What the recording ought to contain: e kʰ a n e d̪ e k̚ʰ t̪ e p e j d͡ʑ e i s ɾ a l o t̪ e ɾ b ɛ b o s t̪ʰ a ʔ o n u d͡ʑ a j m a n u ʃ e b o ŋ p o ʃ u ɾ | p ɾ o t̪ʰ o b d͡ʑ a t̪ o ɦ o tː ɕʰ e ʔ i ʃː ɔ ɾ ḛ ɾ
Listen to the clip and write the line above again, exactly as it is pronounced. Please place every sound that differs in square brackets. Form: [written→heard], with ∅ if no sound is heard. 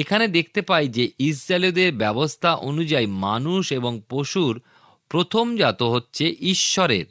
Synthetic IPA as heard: e kʰ a n e d̪ e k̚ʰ t̪ e p [e→a] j d͡ʑ e i s ɾ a l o [t̪→d̪] e ɾ b ɛ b o s t̪ʰ a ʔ o n u d͡ʑ a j m a n u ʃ e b o ŋ p o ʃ u ɾ | p ɾ o t̪ʰ o [b→m] d͡ʑ a t̪ o ɦ o tː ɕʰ e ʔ i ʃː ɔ ɾ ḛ ɾ